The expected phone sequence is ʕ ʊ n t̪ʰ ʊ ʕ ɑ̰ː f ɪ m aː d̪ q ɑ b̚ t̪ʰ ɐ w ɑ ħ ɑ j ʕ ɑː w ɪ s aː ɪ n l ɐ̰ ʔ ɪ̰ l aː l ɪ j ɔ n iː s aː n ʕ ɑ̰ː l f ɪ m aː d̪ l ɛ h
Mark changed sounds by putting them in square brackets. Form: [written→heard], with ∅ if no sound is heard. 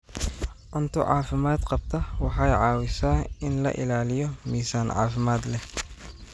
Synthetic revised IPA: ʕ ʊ n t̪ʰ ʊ ʕ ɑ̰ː f ɪ m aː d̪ q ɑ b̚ t̪ʰ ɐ w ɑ ħ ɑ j ʕ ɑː w ɪ s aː ɪ n l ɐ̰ ʔ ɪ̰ l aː l ɪ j ɔ [n→m] iː s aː n ʕ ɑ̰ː [l→∅] f ɪ m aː d̪ l ɛ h